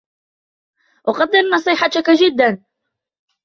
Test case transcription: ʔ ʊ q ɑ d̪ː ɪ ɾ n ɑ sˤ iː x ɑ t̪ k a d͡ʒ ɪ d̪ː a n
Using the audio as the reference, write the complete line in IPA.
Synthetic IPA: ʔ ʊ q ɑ d̪ː ɪ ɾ n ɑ sˤ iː ħ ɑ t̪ k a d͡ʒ ɪ d̪ː a n